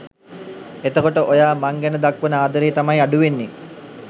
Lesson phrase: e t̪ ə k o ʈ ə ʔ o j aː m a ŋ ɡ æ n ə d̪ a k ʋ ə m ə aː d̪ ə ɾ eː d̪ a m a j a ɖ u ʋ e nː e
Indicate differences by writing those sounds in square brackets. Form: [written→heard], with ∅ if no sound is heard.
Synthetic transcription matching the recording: e t̪ ə k o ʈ ə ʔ o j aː m a ŋ ɡ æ n ə d̪ a k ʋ ə [m→n] ə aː d̪ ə ɾ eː [d̪→t̪] a m a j a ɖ u ʋ e nː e